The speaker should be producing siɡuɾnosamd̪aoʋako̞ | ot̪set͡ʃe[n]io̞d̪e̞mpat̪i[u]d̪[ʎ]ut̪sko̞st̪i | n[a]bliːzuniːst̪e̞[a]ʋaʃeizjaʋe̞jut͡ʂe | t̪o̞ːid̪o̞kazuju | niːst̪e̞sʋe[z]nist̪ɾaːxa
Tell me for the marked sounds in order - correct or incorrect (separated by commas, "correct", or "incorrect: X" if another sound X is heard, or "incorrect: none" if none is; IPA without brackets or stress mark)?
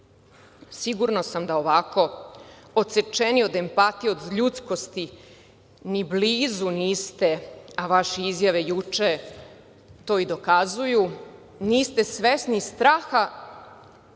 correct, incorrect: o, correct, incorrect: i, correct, incorrect: s